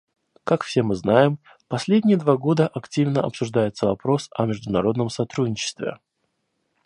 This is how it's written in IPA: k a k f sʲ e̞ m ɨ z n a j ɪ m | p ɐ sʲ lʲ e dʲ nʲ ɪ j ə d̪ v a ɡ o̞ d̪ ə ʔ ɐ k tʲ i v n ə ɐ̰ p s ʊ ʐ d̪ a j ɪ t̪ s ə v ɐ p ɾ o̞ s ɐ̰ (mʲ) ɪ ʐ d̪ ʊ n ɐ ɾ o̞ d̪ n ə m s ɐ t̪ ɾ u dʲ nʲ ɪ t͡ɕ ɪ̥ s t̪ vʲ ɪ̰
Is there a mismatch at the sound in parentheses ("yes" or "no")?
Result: no